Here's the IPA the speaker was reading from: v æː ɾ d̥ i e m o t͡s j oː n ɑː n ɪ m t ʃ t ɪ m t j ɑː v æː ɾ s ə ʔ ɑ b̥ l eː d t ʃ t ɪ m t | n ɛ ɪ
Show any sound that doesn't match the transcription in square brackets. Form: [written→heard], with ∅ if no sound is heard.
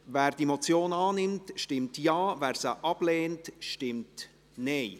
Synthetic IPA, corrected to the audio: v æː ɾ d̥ i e m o t͡s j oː n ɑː n ɪ m t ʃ t ɪ m t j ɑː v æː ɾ s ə ʔ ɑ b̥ l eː [d→n] t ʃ t ɪ m t | n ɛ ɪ